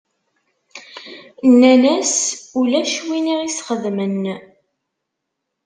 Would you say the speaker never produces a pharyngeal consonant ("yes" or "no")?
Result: yes